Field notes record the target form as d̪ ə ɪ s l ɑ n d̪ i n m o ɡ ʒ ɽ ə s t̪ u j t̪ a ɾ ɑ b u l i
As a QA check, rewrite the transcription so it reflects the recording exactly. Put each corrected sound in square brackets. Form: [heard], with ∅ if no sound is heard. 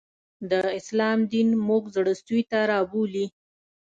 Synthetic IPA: d̪ ə ɪ s l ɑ [m] d̪ i n m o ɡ [z] ɽ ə s t̪ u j t̪ a ɾ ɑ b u l i